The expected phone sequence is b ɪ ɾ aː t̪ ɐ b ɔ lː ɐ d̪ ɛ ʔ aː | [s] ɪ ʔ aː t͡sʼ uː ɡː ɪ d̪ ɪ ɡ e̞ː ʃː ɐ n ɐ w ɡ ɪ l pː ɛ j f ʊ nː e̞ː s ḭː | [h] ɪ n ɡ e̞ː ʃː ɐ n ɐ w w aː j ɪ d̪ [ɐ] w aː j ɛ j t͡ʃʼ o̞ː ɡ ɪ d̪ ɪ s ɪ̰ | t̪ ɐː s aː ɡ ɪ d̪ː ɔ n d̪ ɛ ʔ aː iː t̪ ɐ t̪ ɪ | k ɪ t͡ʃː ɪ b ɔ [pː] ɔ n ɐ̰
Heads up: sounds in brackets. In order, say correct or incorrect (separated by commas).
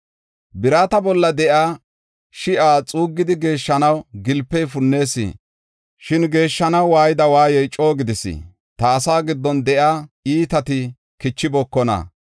incorrect, incorrect, correct, incorrect